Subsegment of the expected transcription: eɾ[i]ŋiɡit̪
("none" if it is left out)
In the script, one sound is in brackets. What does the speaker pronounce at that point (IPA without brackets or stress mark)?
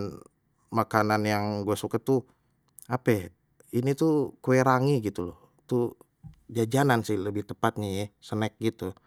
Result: a